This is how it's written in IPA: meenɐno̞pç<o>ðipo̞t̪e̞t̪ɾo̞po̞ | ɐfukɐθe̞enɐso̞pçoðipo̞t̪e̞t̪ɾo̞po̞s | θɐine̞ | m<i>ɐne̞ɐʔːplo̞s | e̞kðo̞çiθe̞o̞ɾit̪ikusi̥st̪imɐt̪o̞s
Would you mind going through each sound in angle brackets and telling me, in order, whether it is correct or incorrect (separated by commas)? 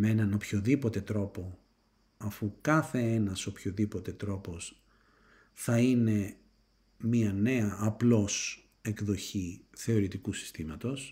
correct, correct